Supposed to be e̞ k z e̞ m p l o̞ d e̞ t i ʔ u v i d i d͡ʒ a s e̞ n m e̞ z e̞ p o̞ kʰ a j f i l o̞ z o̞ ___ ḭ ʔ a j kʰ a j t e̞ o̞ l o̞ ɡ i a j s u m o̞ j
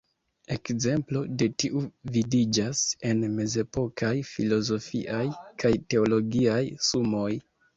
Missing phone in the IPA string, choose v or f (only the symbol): f